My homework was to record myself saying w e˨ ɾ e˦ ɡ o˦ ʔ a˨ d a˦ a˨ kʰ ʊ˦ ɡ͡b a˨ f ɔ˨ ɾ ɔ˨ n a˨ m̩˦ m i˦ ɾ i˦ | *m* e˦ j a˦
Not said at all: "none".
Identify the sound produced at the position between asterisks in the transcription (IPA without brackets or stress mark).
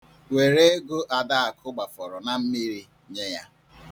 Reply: ɲ